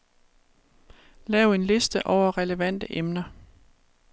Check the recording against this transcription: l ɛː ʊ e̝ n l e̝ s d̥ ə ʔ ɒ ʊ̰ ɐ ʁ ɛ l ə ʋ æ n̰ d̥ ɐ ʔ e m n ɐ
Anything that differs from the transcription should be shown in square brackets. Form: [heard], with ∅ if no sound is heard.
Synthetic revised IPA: l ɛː ʊ e̝ n l e̝ s d̥ ə ʔ ɒ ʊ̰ ɐ ʁ ɛ l ə ʋ æ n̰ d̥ [ə] ʔ e m n ɐ